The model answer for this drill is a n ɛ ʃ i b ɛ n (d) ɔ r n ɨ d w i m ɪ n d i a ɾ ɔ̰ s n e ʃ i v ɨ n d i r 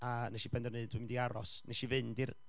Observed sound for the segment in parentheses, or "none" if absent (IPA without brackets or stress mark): d